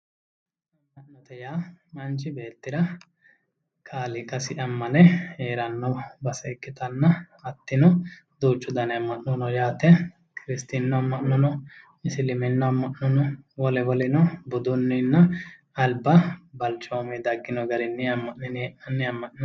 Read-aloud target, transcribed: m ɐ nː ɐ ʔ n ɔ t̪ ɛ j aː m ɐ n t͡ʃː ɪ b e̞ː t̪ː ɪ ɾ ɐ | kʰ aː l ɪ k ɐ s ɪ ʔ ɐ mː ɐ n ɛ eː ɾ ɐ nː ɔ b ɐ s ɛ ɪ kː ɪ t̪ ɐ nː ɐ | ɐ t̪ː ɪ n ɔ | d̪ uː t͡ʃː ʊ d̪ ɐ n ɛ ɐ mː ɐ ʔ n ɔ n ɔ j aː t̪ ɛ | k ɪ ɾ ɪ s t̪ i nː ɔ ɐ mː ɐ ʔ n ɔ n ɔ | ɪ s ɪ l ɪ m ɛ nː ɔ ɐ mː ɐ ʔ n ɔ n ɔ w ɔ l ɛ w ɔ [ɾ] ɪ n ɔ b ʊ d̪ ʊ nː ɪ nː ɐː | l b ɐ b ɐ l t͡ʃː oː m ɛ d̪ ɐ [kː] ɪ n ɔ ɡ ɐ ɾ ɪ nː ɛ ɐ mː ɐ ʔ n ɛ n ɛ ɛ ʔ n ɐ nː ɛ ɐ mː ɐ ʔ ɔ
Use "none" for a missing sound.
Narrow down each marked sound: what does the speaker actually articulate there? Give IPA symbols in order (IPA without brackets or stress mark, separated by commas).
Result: l, ɡː